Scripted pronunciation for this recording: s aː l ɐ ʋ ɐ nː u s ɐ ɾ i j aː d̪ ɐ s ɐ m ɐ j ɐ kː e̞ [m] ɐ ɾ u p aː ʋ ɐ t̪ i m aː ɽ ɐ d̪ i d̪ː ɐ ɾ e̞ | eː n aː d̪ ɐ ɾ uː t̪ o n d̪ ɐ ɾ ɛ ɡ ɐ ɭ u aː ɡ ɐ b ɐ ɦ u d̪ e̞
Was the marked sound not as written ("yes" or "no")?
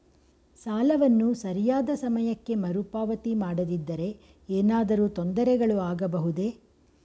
no